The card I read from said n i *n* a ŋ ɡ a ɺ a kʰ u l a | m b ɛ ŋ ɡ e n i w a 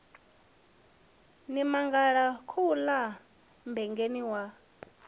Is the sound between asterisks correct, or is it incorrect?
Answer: incorrect